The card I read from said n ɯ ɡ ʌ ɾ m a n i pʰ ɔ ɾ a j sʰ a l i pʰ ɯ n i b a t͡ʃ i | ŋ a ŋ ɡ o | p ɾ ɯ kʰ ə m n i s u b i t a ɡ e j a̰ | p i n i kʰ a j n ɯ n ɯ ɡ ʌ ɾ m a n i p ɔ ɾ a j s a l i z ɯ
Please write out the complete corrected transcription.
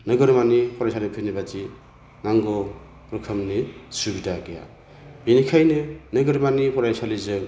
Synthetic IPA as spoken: n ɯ ɡ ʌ ɾ m a n i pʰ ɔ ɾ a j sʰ a l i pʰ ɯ n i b a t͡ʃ i | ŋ a ŋ ɡ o | p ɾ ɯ kʰ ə m n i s u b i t a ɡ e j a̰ | b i n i kʰ a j n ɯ n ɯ ɡ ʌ ɾ m a n i p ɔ ɾ a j s a l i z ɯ